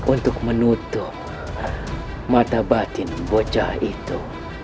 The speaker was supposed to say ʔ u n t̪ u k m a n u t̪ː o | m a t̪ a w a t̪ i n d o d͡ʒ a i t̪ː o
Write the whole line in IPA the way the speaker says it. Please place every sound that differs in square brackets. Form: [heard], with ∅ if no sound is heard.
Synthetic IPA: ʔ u n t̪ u k m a n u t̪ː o | m a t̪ a [b] a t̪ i n [b] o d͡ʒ a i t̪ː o